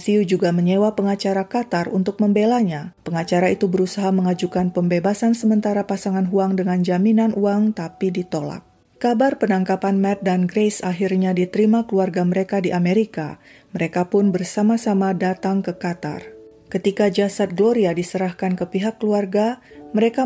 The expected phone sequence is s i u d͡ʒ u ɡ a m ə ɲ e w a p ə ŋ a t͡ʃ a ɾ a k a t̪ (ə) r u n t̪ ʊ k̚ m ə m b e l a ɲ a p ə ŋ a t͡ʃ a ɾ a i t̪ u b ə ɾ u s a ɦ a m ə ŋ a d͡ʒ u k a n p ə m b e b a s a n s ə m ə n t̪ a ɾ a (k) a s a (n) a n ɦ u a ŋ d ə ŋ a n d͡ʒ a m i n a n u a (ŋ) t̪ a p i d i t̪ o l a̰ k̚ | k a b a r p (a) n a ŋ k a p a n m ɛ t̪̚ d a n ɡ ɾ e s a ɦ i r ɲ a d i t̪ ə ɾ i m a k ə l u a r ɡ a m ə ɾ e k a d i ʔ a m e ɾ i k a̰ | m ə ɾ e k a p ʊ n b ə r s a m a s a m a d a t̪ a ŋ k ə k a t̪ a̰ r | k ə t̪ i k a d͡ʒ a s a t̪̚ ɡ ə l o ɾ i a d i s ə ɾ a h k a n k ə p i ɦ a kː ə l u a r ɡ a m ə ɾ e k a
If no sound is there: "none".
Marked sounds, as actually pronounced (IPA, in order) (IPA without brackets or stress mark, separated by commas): a, p, ŋ, ŋ, ə